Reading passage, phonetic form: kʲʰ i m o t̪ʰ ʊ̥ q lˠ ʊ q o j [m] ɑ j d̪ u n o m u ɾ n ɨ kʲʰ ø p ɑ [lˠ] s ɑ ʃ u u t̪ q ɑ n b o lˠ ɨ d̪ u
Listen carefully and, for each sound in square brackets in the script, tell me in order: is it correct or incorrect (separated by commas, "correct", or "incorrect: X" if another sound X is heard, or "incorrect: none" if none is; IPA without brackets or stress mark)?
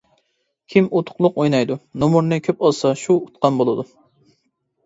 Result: incorrect: n, correct